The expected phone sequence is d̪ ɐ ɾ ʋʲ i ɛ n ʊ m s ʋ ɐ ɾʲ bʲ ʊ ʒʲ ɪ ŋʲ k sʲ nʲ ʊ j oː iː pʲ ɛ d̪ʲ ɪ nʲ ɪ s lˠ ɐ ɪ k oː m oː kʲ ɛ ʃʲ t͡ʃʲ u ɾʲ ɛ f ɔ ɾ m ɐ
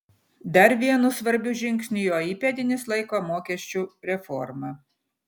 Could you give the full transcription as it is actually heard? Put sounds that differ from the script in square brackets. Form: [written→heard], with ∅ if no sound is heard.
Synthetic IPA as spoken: d̪ ɐ ɾ ʋʲ i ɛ n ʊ [m→∅] s ʋ ɐ ɾʲ bʲ ʊ ʒʲ ɪ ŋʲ k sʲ nʲ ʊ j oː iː pʲ ɛ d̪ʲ ɪ nʲ ɪ s lˠ ɐ ɪ k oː m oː kʲ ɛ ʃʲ t͡ʃʲ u ɾʲ ɛ f ɔ ɾ m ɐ

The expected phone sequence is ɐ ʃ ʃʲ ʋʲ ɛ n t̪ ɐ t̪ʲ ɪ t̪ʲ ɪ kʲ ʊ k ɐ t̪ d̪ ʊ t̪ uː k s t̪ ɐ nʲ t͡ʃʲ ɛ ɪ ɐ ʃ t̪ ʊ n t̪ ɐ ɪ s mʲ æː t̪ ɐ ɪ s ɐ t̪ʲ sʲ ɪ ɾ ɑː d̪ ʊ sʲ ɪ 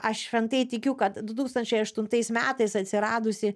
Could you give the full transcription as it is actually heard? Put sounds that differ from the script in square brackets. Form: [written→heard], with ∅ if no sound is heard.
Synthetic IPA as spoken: ɐ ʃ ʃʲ ʋʲ ɛ n t̪ ɐ [t̪ʲ→∅] ɪ t̪ʲ ɪ kʲ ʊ k ɐ t̪ d̪ ʊ t̪ uː k s t̪ ɐ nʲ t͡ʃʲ ɛ ɪ ɐ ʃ t̪ ʊ n t̪ ɐ ɪ s mʲ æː t̪ ɐ ɪ s ɐ t̪ʲ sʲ ɪ ɾ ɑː d̪ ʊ sʲ ɪ

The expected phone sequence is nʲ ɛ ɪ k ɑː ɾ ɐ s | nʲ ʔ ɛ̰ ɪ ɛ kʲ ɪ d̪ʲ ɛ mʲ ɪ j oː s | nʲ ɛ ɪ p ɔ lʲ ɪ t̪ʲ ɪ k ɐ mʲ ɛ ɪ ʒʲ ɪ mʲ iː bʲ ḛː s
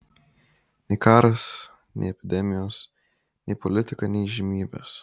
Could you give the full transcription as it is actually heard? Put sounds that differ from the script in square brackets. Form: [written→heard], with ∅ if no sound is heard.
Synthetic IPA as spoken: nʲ ɛ ɪ k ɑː ɾ ɐ s | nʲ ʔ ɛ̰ ɪ ɛ [kʲ→pʲ] ɪ d̪ʲ ɛ mʲ ɪ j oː s | nʲ ɛ ɪ p ɔ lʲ ɪ t̪ʲ ɪ k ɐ [mʲ→nʲ] ɛ ɪ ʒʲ ɪ mʲ iː bʲ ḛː s

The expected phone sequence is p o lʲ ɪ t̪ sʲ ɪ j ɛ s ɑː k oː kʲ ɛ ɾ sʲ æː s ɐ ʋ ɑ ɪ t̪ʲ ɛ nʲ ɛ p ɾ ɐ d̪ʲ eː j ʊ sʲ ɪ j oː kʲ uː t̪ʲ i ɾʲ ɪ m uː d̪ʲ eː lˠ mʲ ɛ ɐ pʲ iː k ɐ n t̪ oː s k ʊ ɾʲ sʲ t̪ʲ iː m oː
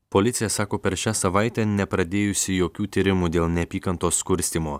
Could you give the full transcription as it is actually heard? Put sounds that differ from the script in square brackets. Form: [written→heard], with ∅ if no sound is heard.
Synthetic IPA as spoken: p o lʲ ɪ t̪ sʲ ɪ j ɛ s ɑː k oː [kʲ→pʲ] ɛ ɾ [sʲ→ʃʲ] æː s ɐ ʋ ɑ ɪ t̪ʲ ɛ nʲ ɛ p ɾ ɐ d̪ʲ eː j ʊ sʲ ɪ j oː kʲ uː t̪ʲ i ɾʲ ɪ m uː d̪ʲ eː lˠ [mʲ→nʲ] ɛ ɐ pʲ iː k ɐ n t̪ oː s k ʊ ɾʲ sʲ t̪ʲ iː m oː

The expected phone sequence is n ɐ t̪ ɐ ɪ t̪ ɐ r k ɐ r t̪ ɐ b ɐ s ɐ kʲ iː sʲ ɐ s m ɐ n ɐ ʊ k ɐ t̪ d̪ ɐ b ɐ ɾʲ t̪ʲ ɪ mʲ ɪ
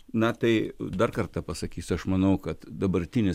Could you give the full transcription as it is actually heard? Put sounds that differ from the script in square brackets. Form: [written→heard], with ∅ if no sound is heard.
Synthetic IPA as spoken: n ɐ t̪ ɐ ɪ [t̪→d̪] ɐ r k ɐ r t̪ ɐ [b→p] ɐ s ɐ kʲ iː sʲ ɐ [s→ʃ] m ɐ n ɐ ʊ k ɐ t̪ d̪ ɐ b ɐ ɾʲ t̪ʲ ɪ [mʲ→nʲ] ɪ

